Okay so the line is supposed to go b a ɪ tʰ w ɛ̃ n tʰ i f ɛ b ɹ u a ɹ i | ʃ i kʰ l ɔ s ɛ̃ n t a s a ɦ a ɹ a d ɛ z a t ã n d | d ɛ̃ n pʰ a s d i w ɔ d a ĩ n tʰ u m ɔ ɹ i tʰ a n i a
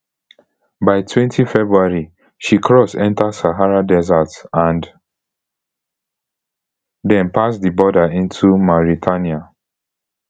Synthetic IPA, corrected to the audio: b a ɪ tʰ w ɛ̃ n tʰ i f ɛ b ɹ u a ɹ i | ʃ i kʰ ɹ ɔ s ɛ̃ n t a s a ɦ a ɹ a d ɛ z a t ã n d | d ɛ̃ n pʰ a s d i b ɔ d a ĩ n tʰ u m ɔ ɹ i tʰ a n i a